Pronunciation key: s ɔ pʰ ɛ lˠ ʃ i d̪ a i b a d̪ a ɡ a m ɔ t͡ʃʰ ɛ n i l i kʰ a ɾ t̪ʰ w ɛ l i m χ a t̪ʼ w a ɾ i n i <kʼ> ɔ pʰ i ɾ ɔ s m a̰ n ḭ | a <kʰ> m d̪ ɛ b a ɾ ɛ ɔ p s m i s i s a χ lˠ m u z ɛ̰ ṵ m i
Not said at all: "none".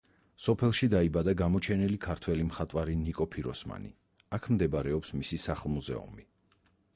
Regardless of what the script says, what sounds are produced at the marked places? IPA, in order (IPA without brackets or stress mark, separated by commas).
kʼ, kʰ